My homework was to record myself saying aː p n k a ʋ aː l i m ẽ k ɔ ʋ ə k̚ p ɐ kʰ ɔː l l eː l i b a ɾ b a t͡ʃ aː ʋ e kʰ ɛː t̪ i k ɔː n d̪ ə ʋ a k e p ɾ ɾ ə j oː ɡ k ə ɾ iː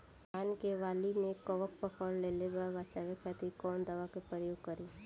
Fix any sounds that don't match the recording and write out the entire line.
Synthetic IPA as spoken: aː n k e ʋ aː l i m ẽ k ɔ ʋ ə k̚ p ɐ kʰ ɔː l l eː l e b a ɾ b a t͡ʃ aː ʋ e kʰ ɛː t̪ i k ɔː n d̪ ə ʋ a k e p ɾ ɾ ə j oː ɡ k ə ɾ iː